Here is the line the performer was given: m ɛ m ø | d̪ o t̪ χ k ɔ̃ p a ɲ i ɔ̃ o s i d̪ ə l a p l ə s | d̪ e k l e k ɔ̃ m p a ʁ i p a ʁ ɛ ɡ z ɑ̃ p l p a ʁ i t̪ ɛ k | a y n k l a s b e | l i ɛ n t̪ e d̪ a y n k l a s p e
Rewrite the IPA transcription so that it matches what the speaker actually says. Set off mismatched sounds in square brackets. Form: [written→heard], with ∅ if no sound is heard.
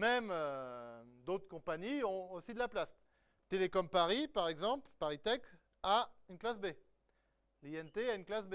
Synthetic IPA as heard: m ɛ m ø | d̪ o t̪ χ k ɔ̃ p a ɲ i ɔ̃ o s i d̪ ə l a p l [ə→a] s | [d̪→t̪] e [k→∅] l e k [ɔ̃→ɔ] m p a ʁ i p a ʁ ɛ ɡ z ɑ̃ p l p a ʁ i t̪ ɛ k | a y n k l a s b e | l i ɛ n t̪ e [d̪→∅] a y n k l a s [p→b] e

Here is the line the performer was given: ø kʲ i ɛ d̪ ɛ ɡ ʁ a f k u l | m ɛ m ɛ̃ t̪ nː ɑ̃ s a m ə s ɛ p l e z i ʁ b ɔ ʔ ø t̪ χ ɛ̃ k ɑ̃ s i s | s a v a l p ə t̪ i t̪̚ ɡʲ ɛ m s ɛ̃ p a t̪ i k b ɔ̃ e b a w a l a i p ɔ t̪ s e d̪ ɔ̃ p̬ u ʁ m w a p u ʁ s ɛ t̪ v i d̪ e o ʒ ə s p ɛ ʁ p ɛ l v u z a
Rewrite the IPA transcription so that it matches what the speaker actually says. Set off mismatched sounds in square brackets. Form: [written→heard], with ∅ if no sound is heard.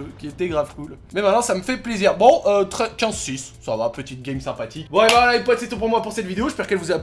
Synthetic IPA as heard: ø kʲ i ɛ [d̪→t̪] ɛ ɡ ʁ a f k u l | m ɛ m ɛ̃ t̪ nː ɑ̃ s a m ə [s→f] ɛ p l e z i ʁ b [ɔ→ɔ̃] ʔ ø t̪ χ [ɛ̃→ɛ] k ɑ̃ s i s | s a v a [l→∅] p ə t̪ i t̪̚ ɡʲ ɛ m s ɛ̃ p a t̪ i k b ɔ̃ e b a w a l a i p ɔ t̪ s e [d̪→t̪] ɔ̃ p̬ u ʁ m w a p u ʁ s ɛ t̪ v i d̪ e o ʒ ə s p ɛ ʁ [p→k] ɛ l v u z a

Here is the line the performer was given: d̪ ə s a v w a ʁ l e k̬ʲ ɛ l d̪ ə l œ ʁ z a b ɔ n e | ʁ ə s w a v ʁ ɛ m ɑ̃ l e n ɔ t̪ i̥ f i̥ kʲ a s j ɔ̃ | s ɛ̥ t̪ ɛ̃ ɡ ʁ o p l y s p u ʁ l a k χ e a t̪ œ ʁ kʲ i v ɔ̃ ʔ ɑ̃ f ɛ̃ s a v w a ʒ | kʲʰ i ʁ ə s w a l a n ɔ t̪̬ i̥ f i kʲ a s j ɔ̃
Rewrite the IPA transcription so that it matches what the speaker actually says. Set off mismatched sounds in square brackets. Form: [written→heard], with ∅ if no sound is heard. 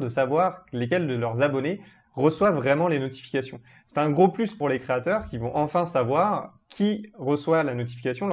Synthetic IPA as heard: d̪ ə s a v w a ʁ l e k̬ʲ ɛ l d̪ ə l œ ʁ z a b ɔ n e | ʁ ə s w a v ʁ ɛ m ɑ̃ l e n ɔ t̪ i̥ f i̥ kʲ a s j ɔ̃ | s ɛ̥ t̪ ɛ̃ ɡ ʁ o p l y s p u ʁ l [a→e] k χ e a t̪ œ ʁ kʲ i v ɔ̃ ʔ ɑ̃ f ɛ̃ s a v w a [ʒ→ʁ] | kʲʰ i ʁ ə s w a l a n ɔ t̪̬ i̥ f i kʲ a s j ɔ̃

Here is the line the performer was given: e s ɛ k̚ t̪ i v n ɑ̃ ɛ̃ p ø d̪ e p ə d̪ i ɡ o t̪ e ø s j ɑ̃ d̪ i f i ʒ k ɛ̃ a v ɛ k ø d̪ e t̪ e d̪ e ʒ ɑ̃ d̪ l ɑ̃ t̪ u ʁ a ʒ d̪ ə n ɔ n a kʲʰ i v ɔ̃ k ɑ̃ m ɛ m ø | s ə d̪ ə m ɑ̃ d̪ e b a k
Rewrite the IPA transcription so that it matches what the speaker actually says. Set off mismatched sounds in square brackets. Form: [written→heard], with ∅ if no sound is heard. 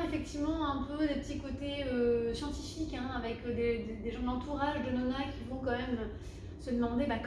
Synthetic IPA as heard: e [s→f] ɛ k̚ t̪ i v [n→m] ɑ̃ ɛ̃ p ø d̪ e p ə [d̪→t̪] i [ɡ→k] o t̪ e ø s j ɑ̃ [d̪→t̪] i f i [ʒ→∅] k ɛ̃ a v ɛ k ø d̪ e [t̪→d̪] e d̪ e ʒ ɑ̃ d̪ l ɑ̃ t̪ u ʁ a ʒ d̪ ə n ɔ n a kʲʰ i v ɔ̃ k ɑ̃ m ɛ m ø | s ə d̪ ə m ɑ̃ d̪ e b a k

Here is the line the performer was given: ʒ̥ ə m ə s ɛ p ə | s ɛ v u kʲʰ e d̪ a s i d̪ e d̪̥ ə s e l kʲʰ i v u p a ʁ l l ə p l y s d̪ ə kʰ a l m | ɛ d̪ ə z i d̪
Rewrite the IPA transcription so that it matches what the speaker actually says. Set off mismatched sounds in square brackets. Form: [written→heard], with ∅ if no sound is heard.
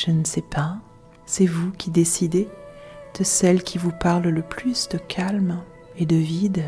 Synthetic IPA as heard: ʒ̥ ə [m→n] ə s ɛ p [ə→a] | s ɛ v u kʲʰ [e→i] d̪ [a→e] s i d̪ e d̪̥ ə s [e→ɛ] l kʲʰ i v u p a ʁ l l ə p l y s d̪ ə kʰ a l m | [ɛ→e] d̪ ə [z→v] i d̪

